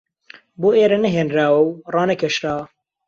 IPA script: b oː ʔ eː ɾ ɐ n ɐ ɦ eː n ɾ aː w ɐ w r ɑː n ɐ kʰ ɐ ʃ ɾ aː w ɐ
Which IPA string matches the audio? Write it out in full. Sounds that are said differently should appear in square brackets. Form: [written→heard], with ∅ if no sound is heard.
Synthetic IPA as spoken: b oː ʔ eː ɾ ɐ n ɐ ɦ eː n ɾ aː w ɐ w r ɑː n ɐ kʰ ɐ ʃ ɾ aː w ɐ